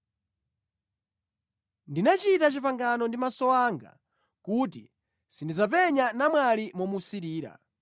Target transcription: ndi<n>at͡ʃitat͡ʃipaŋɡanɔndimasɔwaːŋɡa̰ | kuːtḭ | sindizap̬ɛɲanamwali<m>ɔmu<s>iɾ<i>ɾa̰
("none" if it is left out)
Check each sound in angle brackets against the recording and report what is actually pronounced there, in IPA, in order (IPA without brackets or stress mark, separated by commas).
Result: n, m, s, iː